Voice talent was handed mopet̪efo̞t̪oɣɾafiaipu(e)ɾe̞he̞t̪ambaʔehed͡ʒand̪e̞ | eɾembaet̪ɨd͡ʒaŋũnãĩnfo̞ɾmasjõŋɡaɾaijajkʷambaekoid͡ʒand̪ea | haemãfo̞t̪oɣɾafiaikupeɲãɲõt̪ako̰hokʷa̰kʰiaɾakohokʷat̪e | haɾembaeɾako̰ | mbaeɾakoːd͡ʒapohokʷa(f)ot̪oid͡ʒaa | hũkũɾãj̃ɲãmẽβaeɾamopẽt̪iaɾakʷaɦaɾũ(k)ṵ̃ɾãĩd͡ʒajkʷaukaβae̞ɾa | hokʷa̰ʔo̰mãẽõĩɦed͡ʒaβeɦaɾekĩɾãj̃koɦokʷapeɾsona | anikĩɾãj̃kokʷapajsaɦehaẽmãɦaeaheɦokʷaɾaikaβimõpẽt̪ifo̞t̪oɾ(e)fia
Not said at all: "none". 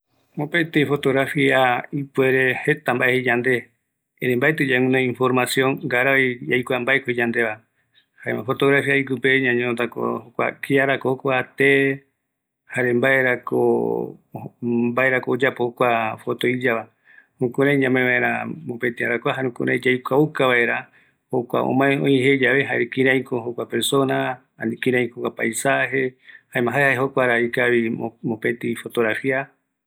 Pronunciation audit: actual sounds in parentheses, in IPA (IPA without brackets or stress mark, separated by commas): e, f, k, a